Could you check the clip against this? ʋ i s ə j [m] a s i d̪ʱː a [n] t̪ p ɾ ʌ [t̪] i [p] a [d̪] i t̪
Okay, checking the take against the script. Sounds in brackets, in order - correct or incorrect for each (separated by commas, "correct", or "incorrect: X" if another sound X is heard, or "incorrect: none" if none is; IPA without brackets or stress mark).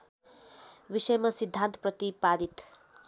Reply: correct, correct, correct, correct, correct